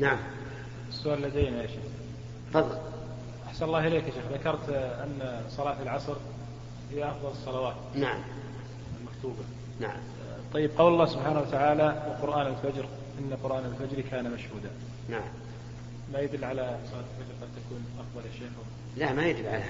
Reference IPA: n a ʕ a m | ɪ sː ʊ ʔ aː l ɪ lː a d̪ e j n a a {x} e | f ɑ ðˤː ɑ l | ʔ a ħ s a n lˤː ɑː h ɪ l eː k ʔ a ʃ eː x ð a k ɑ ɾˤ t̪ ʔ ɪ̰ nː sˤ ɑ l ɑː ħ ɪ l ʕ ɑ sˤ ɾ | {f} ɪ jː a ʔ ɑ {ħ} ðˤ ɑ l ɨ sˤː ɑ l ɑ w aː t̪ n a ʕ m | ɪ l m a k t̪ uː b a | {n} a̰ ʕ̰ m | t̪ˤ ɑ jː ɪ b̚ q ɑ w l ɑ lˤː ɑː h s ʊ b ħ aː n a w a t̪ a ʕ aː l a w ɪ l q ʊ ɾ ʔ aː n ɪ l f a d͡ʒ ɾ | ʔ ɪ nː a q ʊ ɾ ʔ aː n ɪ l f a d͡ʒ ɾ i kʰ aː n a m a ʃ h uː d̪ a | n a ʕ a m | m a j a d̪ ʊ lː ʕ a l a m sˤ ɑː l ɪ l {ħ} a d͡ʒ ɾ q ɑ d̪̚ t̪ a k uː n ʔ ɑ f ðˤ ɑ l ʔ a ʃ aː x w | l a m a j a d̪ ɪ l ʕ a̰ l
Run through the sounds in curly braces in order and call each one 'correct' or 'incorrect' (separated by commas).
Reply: incorrect, incorrect, incorrect, correct, incorrect